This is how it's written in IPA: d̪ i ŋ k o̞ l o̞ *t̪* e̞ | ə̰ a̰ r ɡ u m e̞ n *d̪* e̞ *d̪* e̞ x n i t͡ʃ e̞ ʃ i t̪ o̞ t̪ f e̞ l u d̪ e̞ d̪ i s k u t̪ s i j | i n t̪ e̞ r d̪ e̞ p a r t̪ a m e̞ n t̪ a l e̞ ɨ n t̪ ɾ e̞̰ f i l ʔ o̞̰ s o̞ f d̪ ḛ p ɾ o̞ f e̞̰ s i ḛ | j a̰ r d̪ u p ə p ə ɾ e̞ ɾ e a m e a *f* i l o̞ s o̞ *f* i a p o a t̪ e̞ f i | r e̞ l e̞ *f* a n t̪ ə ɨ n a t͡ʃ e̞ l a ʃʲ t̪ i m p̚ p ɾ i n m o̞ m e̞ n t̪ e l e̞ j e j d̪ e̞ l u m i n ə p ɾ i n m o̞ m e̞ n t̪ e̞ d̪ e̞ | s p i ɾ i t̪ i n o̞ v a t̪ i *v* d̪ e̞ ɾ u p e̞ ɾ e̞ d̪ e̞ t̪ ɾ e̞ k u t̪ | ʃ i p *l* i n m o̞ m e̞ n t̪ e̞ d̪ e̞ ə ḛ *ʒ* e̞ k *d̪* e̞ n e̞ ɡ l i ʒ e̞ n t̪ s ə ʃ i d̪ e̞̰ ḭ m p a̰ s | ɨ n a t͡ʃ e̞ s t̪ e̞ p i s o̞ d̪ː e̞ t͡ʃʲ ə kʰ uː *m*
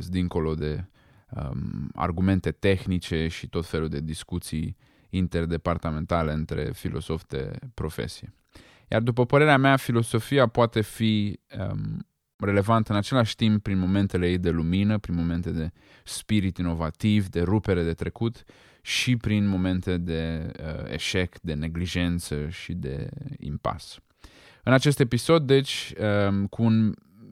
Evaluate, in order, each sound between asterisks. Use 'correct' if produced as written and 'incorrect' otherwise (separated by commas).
incorrect, incorrect, incorrect, correct, correct, incorrect, correct, incorrect, incorrect, correct, incorrect